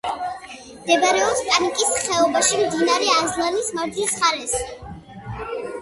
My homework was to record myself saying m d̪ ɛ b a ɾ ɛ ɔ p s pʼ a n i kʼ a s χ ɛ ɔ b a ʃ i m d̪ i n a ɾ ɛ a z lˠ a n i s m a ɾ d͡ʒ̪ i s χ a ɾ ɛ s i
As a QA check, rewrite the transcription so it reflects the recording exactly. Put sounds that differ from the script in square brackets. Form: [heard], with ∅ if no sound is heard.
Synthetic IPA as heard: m d̪ ɛ b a ɾ ɛ ɔ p s pʼ a n i kʼ [i] s χ ɛ ɔ b a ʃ i m d̪ i n a ɾ ɛ a z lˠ a n i s m a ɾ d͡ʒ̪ i s χ a ɾ ɛ s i